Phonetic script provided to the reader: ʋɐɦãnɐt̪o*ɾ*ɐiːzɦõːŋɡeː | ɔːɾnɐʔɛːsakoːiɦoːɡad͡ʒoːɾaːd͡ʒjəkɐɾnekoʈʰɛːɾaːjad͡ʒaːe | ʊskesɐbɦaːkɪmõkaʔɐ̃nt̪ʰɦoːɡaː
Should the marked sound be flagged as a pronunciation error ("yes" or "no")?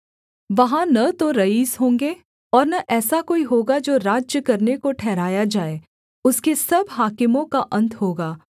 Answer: no